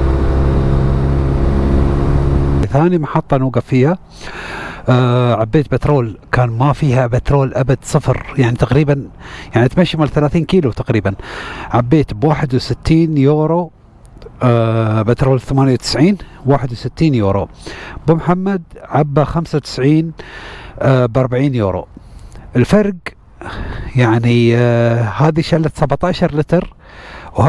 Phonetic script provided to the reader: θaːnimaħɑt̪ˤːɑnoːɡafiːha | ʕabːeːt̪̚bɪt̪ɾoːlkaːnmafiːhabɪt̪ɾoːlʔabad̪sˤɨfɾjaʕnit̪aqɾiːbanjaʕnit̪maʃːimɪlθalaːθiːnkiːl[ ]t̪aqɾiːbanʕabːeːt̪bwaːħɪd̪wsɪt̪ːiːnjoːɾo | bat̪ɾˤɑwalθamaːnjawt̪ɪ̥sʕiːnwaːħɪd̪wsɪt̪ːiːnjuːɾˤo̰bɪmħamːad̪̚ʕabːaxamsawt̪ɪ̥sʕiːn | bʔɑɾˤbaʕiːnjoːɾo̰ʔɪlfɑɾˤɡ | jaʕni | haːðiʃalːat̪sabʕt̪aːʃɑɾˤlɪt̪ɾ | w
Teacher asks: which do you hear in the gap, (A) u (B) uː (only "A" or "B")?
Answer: A